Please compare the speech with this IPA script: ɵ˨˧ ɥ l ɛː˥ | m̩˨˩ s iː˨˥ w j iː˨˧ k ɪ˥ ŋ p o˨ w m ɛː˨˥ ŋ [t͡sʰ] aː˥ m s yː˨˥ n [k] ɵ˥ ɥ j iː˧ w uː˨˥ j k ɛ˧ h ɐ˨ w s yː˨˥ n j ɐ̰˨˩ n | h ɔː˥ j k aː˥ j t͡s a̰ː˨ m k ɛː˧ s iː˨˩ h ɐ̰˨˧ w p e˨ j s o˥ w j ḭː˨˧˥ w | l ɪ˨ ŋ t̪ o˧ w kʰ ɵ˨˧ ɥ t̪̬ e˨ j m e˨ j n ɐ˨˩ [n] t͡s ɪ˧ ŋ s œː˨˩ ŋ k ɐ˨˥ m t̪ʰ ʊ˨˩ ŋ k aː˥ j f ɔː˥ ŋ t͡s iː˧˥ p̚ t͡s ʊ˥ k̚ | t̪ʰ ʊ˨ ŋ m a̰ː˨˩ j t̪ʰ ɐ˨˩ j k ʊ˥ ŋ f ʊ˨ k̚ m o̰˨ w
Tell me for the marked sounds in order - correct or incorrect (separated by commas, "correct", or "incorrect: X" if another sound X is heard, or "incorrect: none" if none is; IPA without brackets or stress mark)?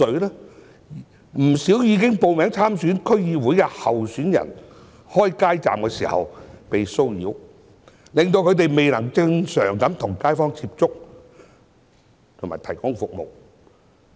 correct, incorrect: kʰ, incorrect: ŋ